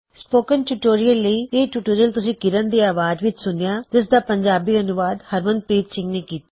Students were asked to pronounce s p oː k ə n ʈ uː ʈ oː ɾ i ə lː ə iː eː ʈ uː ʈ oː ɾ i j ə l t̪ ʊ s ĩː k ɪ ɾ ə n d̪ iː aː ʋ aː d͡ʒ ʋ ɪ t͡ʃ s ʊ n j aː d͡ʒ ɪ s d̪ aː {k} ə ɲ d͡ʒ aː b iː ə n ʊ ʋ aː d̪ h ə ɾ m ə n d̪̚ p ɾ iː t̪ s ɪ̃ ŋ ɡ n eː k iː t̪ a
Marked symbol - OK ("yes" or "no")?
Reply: no